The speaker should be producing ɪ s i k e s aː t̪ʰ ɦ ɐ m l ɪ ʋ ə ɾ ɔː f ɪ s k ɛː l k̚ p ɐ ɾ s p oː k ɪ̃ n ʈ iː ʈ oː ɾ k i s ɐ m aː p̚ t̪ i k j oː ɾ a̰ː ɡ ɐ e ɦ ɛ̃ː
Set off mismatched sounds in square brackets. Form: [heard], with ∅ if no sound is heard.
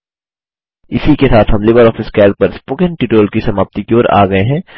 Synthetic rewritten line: ɪ s i k e s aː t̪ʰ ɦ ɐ m l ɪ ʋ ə ɾ ɔː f ɪ s k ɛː l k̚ p ɐ ɾ s p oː k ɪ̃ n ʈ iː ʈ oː [l] k i s ɐ m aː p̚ t̪ i k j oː ɾ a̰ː ɡ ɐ e ɦ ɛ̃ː